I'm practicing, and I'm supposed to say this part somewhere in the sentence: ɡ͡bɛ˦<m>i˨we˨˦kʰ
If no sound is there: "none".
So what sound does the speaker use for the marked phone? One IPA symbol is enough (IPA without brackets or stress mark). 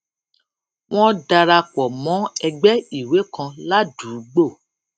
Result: none